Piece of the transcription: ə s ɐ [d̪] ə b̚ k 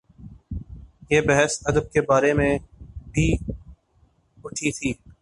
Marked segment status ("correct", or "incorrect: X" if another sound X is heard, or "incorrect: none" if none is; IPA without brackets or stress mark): correct